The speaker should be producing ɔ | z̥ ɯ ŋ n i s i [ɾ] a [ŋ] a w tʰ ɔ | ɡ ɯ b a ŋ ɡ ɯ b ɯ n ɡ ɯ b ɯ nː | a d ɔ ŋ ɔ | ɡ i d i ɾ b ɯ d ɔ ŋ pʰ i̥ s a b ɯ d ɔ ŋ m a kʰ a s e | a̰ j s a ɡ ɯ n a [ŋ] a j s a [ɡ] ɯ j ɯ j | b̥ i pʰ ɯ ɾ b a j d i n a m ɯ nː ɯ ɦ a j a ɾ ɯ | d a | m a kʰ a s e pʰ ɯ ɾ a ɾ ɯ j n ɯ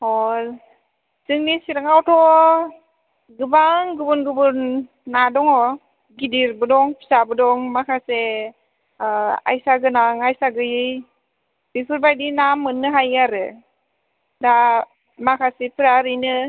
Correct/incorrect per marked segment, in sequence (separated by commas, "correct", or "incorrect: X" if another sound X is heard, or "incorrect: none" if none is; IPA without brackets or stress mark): correct, correct, correct, correct